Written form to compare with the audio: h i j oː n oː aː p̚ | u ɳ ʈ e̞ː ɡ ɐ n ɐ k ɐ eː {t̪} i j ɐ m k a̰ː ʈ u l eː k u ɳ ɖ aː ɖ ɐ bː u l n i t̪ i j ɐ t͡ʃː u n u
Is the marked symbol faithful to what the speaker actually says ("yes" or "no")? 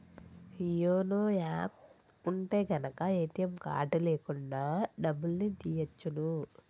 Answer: yes